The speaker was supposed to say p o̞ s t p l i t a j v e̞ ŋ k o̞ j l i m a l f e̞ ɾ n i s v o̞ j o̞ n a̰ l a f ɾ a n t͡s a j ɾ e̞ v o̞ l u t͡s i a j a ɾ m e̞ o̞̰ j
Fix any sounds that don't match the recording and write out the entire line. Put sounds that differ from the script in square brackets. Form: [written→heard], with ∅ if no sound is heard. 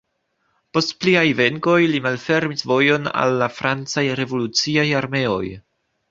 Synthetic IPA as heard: p o̞ s t p l i [t→∅] a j v e̞ ŋ k o̞ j l i m a l f e̞ ɾ [n→m] i s v o̞ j o̞ n a̰ [l→lː] a f ɾ a n t͡s a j ɾ e̞ v o̞ l u t͡s i a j a ɾ m e̞ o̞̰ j